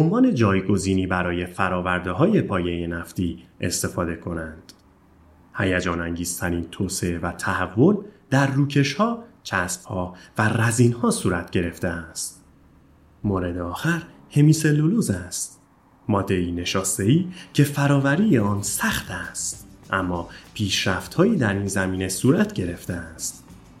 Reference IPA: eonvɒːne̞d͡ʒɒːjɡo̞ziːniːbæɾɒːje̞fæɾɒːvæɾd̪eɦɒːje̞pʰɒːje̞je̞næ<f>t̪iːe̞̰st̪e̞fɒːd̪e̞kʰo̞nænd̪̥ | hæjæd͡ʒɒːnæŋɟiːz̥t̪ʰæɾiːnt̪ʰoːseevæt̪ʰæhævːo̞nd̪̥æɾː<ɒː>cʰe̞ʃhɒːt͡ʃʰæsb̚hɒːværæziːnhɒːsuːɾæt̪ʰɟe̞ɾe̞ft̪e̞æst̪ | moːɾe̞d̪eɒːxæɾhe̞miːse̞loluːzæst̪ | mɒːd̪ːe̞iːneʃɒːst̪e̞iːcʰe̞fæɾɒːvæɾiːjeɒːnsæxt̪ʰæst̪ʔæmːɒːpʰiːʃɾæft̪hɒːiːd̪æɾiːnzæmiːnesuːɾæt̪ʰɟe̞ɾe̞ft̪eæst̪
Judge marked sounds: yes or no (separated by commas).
yes, no